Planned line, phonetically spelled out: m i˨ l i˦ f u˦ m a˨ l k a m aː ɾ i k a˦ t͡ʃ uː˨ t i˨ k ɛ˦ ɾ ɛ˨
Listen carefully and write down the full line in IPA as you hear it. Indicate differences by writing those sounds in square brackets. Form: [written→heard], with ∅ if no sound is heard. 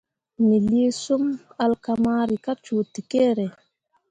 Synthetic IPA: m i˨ l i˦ [f→s] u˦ m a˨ l k a m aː ɾ i k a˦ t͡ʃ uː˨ t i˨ k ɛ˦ ɾ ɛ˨